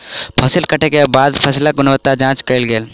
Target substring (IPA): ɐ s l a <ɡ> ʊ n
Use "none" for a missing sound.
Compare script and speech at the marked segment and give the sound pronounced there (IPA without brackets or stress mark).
ɡ